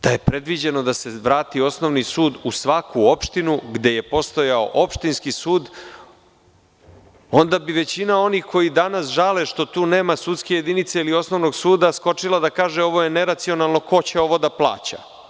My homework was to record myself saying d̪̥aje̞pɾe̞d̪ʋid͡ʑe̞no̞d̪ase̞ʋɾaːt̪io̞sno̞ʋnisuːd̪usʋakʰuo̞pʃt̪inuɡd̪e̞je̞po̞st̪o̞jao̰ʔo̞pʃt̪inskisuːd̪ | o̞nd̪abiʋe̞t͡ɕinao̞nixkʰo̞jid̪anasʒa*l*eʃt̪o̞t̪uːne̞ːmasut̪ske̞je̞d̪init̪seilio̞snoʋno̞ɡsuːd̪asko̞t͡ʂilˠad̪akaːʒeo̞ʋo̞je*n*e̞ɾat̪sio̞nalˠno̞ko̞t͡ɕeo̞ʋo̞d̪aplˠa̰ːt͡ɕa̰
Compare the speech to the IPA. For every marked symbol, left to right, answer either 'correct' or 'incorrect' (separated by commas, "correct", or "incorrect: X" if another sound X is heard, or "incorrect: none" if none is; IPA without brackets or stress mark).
correct, correct